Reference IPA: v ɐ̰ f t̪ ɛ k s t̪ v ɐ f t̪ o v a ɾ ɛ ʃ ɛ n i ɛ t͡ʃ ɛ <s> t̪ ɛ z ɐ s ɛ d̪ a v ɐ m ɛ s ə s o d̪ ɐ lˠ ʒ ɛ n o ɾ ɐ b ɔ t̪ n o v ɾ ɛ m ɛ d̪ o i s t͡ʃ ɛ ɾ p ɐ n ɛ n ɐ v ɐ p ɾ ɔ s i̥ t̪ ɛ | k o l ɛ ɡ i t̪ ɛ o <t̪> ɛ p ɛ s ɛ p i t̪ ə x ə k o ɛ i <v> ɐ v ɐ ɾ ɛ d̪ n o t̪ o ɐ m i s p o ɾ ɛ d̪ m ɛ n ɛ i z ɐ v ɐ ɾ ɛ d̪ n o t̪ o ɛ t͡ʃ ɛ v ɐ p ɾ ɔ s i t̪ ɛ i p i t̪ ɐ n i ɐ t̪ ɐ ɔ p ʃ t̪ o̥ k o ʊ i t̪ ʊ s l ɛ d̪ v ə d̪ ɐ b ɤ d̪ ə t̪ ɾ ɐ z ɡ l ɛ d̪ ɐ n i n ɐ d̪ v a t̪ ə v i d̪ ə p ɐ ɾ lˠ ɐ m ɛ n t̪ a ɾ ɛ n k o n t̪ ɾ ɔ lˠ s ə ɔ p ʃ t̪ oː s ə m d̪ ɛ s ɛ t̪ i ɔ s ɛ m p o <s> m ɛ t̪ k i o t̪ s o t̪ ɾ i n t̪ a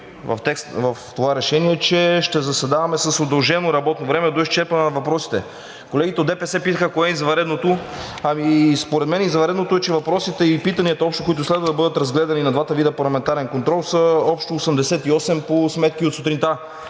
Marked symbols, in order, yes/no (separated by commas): no, no, no, yes